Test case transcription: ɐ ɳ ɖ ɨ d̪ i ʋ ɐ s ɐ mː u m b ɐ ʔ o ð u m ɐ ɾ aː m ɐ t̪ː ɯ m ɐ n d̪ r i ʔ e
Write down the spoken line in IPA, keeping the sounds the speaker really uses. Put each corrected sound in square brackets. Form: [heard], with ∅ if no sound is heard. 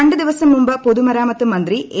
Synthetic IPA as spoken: ɐ ɳ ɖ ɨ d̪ i ʋ ɐ s ɐ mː u m b ɐ [p] o ð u m ɐ ɾ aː m ɐ t̪ː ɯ m ɐ n d̪ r i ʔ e